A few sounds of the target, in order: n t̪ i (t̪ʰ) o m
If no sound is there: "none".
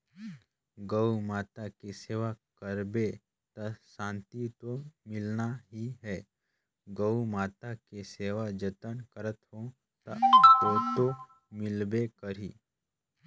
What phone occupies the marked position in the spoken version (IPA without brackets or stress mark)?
t̪